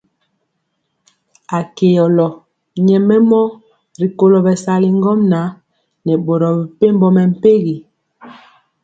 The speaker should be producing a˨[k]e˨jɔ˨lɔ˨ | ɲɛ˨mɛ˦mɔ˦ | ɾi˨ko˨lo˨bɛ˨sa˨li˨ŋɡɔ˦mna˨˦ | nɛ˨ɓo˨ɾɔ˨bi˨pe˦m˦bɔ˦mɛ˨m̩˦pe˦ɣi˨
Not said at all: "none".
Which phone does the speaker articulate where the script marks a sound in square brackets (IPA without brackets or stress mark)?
k